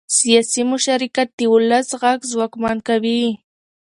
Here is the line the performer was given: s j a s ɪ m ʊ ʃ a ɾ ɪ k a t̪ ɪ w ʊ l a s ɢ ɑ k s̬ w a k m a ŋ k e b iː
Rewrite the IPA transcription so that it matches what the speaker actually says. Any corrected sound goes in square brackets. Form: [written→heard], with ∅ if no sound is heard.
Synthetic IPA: s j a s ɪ m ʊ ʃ a ɾ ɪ k a t̪ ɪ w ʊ l a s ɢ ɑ k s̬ w a k m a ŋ k [e→a] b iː